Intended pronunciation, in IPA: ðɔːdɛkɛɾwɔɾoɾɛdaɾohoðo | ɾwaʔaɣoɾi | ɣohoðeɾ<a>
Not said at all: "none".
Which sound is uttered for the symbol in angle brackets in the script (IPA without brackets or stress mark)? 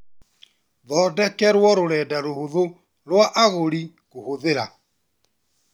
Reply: a